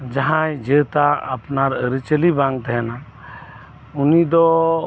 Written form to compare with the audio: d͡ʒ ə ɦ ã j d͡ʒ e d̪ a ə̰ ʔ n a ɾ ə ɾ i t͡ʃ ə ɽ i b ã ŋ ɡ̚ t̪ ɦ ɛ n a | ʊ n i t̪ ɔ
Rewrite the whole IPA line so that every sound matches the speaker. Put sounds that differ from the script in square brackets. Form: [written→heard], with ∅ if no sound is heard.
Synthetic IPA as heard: d͡ʒ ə ɦ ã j d͡ʒ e [d̪→t̪] a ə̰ [ʔ→p] n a ɾ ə ɾ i t͡ʃ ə [ɽ→l] i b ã ŋ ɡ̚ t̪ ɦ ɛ n a | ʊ n i [t̪→d̪] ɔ